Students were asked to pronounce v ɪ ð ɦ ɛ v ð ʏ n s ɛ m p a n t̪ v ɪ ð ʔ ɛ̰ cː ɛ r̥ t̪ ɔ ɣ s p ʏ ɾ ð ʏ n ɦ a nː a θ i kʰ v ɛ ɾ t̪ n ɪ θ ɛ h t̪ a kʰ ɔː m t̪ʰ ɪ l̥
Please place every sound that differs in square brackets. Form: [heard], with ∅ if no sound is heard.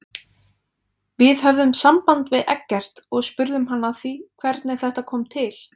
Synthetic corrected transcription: v ɪ ð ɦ [œ] v ð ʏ [m] s [a] m p a n t̪ v ɪ ð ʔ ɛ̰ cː ɛ r̥ t̪ ɔ ɣ s p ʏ ɾ ð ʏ [m] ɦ a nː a θ i kʰ v ɛ ɾ t̪ n ɪ θ ɛ h t̪ a kʰ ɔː m t̪ʰ ɪ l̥